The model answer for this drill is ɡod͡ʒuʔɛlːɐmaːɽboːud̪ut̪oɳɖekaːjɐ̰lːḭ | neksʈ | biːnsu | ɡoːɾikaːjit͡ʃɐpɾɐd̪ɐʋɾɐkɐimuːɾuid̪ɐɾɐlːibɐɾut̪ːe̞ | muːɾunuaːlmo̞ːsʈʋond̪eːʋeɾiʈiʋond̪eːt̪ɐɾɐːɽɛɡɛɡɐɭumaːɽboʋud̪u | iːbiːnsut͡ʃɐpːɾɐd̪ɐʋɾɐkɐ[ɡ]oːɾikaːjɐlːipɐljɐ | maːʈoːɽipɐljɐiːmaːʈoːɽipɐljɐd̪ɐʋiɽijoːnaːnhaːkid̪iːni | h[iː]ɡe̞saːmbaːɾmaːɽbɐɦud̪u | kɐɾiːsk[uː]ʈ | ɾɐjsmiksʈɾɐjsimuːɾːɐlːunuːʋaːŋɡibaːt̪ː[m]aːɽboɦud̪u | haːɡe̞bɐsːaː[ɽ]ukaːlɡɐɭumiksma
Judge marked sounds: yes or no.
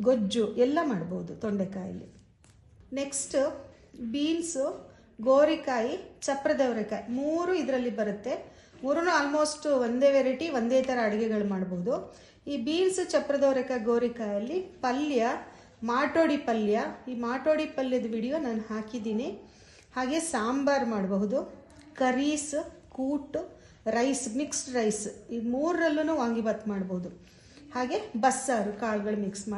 yes, no, yes, yes, no

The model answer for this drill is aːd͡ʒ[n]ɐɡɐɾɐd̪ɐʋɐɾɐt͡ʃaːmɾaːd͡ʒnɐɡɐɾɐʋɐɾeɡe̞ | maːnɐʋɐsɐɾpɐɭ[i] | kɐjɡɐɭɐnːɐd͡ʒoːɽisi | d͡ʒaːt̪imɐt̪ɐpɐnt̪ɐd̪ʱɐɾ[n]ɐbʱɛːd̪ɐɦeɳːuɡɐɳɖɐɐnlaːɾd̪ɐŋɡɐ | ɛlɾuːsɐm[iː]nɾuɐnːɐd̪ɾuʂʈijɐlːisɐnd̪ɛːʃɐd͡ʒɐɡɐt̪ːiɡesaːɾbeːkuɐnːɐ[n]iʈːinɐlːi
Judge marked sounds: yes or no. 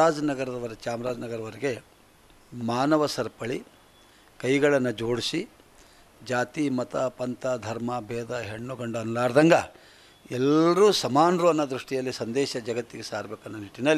yes, yes, no, no, yes

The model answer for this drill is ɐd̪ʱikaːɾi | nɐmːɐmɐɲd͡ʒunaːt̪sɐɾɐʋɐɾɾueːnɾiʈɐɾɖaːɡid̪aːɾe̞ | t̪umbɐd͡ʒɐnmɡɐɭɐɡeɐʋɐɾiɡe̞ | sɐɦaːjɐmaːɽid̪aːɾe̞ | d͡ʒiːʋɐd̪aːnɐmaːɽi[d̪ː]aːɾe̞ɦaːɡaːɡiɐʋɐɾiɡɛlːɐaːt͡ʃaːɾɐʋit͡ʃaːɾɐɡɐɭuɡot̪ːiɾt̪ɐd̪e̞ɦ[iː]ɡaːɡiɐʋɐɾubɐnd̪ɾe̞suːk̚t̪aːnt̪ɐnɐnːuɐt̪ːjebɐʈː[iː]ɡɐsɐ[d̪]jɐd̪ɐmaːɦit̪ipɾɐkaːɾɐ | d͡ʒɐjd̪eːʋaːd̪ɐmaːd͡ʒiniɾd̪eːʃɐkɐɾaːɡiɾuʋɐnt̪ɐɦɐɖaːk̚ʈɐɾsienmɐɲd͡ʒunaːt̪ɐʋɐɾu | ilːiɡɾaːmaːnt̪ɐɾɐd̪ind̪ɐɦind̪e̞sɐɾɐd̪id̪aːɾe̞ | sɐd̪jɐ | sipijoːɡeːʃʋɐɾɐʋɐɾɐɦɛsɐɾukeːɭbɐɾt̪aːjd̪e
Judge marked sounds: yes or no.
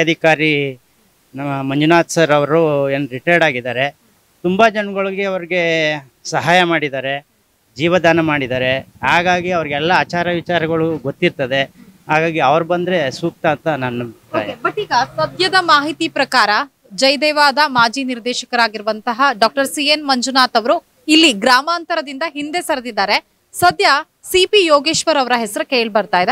no, no, yes, yes

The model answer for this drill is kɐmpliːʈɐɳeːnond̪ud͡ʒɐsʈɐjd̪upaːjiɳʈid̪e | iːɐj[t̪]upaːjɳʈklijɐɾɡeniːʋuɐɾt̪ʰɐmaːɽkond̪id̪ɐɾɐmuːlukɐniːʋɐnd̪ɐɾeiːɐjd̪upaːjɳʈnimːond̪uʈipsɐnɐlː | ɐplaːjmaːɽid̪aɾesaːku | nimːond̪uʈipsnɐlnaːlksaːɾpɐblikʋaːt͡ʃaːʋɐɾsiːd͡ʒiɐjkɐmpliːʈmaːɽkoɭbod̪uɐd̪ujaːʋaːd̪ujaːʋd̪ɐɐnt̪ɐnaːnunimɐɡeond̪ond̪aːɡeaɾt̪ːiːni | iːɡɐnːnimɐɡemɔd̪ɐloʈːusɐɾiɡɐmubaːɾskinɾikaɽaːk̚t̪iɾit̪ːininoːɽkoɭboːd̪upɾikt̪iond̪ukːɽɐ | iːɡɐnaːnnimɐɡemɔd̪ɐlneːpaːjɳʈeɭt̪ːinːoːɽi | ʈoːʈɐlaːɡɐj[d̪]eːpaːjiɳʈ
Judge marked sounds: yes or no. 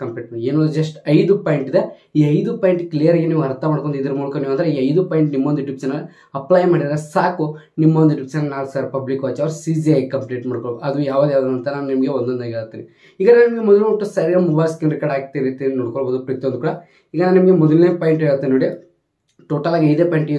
no, yes

